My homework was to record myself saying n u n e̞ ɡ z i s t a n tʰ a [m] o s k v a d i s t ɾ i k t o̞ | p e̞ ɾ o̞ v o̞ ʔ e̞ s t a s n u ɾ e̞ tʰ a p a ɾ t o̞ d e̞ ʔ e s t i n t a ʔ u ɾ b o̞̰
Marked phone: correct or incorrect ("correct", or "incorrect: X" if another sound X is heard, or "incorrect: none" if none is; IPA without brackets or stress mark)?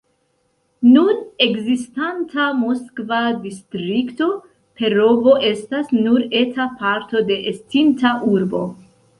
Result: correct